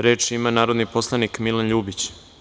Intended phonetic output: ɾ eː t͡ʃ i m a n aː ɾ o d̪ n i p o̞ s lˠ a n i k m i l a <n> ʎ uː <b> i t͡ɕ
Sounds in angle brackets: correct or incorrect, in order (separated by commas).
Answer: correct, correct